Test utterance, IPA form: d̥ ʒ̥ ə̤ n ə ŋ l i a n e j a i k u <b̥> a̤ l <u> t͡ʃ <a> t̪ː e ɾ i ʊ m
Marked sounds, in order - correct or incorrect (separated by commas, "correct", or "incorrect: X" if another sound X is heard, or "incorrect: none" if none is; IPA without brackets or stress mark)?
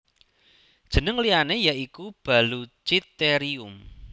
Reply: correct, correct, incorrect: i